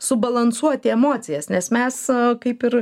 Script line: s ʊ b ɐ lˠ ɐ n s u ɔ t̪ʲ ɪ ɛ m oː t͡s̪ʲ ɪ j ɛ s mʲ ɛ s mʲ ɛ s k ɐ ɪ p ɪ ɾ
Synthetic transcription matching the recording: s ʊ b ɐ lˠ ɐ n s u ɔ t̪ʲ ɪ ɛ m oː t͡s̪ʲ ɪ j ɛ s nʲ ɛ s mʲ ɛ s k ɐ ɪ p ɪ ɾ